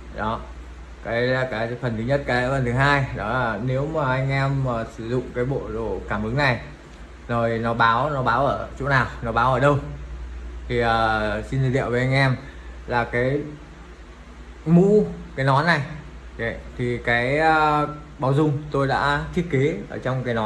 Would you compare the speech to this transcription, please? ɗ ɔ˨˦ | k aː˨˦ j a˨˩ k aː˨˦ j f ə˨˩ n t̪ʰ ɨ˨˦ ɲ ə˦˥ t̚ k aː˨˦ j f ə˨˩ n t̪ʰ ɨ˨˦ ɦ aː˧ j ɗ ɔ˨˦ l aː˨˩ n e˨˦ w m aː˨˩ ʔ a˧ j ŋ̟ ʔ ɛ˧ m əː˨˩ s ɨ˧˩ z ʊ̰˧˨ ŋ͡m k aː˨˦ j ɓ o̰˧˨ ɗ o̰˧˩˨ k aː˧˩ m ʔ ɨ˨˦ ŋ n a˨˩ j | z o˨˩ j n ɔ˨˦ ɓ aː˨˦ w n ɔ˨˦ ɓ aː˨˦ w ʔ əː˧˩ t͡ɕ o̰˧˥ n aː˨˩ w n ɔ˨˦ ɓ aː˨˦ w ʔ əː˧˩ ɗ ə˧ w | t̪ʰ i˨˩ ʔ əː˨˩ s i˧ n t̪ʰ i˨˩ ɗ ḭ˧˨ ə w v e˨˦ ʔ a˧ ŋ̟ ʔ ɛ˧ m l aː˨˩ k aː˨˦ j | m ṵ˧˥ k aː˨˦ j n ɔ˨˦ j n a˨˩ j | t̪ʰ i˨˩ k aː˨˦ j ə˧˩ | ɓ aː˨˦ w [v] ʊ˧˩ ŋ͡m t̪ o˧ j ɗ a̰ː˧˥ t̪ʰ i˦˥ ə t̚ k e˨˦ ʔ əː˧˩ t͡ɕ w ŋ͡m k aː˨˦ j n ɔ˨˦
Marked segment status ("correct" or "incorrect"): incorrect